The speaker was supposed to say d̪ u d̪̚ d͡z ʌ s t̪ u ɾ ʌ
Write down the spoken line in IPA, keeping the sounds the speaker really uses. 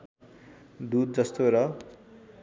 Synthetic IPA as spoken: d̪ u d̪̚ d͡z ʌ s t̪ o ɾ ʌ